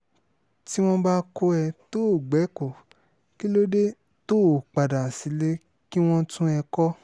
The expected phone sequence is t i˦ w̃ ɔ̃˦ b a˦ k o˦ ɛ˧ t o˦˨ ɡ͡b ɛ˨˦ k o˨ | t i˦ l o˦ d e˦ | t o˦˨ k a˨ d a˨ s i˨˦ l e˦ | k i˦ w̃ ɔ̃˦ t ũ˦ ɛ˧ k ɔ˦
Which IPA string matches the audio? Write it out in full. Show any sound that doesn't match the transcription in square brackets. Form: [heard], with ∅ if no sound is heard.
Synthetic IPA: t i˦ w̃ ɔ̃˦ b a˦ k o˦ ɛ˧ t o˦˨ ɡ͡b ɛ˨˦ k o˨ | [k] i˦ l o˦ d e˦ | t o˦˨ [k͡p] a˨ d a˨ s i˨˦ l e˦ | k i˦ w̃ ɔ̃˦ t ũ˦ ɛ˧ k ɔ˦